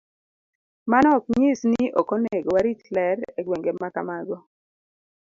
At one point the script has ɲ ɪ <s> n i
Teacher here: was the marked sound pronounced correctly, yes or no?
yes